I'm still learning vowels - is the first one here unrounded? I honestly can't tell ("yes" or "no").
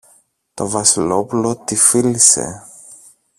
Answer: no